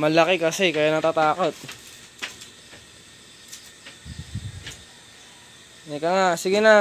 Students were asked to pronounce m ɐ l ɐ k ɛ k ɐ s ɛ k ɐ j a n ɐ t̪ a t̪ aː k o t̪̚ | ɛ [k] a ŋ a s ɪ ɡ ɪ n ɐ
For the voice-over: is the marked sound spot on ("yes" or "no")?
yes